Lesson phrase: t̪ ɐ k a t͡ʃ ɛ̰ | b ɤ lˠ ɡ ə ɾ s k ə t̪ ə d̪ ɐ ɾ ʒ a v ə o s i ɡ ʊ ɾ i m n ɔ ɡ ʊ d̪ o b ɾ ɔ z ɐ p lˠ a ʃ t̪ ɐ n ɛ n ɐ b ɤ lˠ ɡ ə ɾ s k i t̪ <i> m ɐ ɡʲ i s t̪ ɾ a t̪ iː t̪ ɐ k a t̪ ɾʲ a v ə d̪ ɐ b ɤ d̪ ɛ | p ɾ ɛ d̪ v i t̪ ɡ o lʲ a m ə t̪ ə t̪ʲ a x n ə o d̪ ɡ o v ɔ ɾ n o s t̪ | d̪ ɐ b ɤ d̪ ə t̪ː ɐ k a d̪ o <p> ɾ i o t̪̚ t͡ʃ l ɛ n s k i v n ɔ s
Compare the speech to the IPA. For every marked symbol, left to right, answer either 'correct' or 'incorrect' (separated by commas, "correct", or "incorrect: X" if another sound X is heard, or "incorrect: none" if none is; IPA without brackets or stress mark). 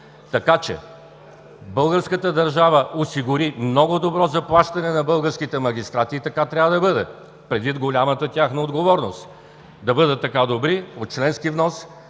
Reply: incorrect: ɛ, incorrect: b